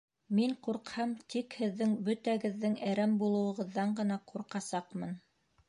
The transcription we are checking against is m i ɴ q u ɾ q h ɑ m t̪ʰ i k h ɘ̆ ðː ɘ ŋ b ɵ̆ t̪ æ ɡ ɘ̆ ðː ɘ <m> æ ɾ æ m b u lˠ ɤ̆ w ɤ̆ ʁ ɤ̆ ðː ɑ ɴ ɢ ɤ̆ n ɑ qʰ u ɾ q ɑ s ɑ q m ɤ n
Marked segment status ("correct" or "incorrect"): incorrect